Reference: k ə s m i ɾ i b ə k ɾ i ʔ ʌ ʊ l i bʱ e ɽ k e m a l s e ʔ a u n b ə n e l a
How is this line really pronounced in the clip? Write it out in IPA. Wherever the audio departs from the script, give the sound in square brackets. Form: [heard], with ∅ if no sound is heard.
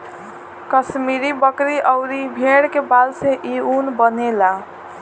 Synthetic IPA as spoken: k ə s m i ɾ i b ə k ɾ i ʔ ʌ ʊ [ɾ] i bʱ e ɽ k e [b] a l s e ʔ [i] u n b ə n e l a